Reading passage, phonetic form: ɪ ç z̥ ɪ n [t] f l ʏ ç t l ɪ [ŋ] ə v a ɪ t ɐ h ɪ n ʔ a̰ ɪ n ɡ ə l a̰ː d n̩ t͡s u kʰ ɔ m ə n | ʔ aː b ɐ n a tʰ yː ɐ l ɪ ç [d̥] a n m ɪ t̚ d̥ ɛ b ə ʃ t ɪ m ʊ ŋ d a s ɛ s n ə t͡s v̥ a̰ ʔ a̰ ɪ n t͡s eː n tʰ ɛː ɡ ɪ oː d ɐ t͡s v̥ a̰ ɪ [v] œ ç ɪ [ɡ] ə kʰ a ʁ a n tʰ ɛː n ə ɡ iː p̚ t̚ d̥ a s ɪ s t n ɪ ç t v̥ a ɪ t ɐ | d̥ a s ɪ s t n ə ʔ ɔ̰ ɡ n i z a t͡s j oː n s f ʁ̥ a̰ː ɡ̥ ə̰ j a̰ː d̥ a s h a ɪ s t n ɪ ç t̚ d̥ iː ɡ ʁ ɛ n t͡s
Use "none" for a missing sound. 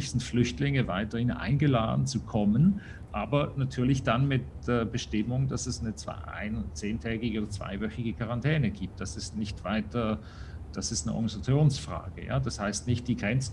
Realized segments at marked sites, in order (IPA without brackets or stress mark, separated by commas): t, ŋ, d̥, v, ɡ